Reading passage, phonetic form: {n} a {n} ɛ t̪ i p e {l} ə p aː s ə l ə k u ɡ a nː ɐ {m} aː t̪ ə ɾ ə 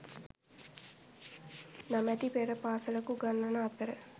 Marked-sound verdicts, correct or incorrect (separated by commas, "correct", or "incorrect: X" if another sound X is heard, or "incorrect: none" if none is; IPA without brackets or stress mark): correct, incorrect: m, incorrect: ɾ, incorrect: n